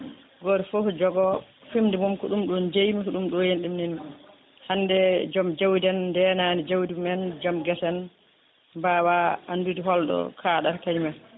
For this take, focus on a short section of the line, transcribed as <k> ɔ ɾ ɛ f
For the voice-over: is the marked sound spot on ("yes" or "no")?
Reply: no